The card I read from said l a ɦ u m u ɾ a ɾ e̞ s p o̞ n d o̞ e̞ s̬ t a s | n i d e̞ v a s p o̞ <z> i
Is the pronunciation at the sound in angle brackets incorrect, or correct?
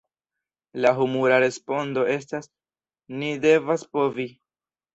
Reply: incorrect